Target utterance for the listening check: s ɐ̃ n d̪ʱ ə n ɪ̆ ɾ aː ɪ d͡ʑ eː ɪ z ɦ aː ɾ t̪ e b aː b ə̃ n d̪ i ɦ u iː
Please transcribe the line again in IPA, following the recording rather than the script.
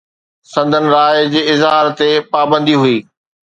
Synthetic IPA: s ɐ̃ n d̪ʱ ə n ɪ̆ ɾ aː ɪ d͡ʑ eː ɪ z ɦ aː ɾ t̪ e p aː b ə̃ n d̪ i ɦ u iː